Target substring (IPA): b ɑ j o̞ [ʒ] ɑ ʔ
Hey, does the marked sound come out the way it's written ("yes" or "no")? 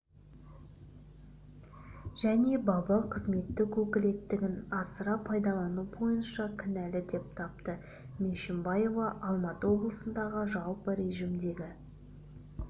no